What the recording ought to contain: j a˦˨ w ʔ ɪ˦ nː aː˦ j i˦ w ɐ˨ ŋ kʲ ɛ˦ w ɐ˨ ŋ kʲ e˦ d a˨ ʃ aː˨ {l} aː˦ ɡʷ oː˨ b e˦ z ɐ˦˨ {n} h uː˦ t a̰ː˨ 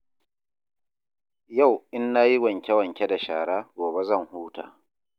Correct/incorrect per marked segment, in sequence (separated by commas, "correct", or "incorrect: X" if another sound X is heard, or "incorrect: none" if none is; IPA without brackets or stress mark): incorrect: ɽ, incorrect: ŋ